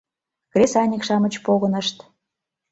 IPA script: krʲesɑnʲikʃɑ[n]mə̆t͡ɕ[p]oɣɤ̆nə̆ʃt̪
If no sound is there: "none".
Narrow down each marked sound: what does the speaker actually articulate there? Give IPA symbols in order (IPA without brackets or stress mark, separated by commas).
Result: none, p